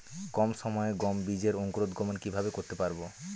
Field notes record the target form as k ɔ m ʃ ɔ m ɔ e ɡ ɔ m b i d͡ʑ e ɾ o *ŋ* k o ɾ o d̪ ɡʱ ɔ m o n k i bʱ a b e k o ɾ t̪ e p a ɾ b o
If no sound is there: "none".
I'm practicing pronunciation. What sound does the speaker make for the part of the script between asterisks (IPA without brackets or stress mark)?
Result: ŋ